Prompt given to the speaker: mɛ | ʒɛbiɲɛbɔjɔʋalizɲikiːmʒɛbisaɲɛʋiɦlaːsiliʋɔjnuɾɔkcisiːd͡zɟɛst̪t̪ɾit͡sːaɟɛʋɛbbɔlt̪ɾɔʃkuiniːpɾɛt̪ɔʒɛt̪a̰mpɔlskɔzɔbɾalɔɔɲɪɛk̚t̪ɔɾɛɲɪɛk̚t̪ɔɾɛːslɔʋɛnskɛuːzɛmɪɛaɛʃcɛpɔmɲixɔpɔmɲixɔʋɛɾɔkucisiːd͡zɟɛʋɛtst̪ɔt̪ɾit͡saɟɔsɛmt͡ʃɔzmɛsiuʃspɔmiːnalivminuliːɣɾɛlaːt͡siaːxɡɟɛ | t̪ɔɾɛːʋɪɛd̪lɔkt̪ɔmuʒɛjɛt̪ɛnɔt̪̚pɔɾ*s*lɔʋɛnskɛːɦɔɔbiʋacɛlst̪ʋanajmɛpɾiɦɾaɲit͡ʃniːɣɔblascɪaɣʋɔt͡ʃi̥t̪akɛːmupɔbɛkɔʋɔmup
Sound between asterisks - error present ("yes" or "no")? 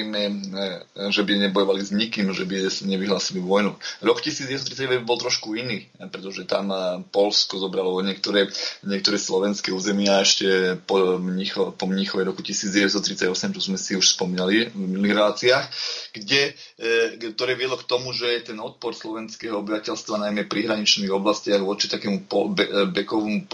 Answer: no